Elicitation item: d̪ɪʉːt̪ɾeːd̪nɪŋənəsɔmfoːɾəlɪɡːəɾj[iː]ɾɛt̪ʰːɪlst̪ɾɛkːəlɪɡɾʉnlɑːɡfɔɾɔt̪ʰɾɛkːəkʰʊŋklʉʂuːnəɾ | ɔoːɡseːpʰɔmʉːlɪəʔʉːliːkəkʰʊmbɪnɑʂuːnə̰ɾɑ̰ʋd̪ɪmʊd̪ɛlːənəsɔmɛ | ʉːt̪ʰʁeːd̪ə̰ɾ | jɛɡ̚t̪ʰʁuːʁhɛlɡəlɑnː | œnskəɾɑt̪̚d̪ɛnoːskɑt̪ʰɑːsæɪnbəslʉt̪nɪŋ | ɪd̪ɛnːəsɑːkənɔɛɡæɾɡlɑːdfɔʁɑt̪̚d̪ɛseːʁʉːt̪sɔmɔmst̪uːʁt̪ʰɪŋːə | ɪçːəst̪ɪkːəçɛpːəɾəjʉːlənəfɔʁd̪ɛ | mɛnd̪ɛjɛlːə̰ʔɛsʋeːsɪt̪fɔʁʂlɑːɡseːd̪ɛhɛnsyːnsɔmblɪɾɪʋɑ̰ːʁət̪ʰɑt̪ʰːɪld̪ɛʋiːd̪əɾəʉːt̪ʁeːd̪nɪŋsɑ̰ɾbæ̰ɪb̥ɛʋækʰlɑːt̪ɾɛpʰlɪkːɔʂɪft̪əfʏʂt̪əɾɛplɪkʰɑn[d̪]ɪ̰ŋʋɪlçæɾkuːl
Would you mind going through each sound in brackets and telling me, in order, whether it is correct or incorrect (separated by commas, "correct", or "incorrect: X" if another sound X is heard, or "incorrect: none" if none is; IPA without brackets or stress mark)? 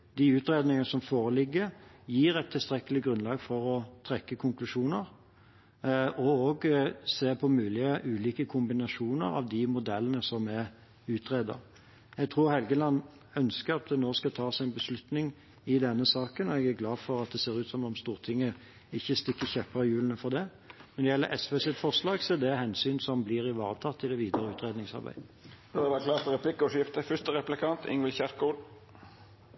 correct, incorrect: t̪